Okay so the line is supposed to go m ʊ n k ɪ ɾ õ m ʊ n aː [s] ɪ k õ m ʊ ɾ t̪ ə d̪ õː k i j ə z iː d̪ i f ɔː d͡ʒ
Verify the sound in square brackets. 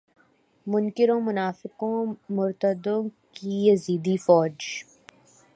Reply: incorrect: f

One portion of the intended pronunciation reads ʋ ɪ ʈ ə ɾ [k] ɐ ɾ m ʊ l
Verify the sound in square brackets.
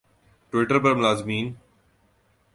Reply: incorrect: p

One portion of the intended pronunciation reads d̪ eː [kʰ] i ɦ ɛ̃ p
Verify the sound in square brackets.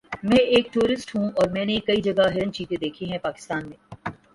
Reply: correct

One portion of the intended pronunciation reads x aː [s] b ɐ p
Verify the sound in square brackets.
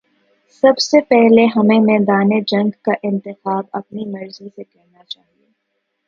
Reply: incorrect: none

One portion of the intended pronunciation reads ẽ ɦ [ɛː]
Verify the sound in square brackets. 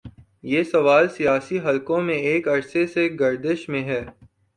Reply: correct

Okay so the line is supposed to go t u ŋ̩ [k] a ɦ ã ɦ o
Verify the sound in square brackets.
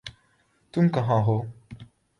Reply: correct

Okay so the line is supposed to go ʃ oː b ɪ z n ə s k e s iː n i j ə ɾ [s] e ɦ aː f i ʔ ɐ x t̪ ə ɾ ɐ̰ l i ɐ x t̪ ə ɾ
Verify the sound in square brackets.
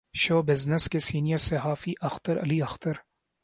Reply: correct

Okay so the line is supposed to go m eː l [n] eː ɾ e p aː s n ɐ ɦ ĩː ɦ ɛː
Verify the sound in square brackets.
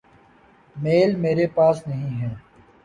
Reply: incorrect: m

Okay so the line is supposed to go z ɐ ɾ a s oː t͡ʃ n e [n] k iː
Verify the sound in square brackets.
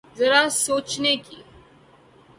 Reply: incorrect: none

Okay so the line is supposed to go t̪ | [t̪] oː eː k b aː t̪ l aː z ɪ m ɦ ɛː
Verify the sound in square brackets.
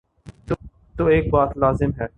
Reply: correct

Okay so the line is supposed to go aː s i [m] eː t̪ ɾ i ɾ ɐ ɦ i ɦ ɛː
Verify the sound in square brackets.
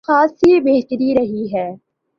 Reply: incorrect: b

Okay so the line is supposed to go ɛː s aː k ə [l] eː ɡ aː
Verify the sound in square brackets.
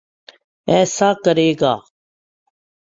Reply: incorrect: ɾ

